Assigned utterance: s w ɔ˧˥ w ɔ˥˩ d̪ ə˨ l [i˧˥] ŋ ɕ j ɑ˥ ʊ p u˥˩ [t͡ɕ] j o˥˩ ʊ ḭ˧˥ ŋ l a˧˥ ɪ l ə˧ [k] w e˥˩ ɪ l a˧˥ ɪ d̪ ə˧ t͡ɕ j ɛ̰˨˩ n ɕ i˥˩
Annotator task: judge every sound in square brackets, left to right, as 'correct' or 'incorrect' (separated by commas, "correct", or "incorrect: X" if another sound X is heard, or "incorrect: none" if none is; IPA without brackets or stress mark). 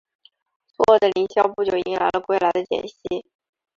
correct, correct, correct